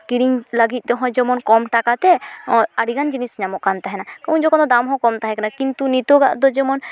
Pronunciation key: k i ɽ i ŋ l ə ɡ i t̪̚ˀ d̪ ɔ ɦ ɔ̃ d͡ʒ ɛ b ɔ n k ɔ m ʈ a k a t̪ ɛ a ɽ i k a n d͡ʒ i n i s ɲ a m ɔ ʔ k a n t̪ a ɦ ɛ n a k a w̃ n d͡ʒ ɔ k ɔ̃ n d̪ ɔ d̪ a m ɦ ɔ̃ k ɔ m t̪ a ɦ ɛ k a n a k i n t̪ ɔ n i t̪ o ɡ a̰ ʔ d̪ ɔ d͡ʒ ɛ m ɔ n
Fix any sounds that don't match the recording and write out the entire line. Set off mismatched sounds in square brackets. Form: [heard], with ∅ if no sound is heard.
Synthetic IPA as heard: k i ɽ i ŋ l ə ɡ i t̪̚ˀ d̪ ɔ ɦ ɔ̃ d͡ʒ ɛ [m] ɔ n k ɔ m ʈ a k a t̪ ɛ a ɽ i [ɡ] a n d͡ʒ i n i s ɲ a m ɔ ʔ k a n t̪ a ɦ ɛ n a k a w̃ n d͡ʒ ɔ k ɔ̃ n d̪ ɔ d̪ a m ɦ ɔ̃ k ɔ m t̪ a ɦ ɛ k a n a k i n t̪ [u] n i t̪ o ɡ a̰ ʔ d̪ ɔ d͡ʒ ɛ m ɔ n